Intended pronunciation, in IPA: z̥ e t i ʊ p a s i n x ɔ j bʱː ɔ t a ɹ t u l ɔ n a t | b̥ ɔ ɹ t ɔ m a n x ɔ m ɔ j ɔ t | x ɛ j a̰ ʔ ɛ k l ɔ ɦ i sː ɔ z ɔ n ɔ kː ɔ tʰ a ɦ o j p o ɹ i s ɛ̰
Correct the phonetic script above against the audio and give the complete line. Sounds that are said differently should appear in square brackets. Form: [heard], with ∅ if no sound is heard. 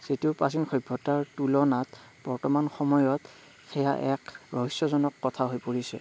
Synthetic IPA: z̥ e t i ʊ p a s i n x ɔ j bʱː ɔ t a ɹ t u l ɔ n a t | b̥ ɔ ɹ t ɔ m a n x ɔ m ɔ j ɔ t | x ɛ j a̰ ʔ ɛ k [ɹ] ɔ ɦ i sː ɔ z ɔ n ɔ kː ɔ tʰ a ɦ o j p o ɹ i s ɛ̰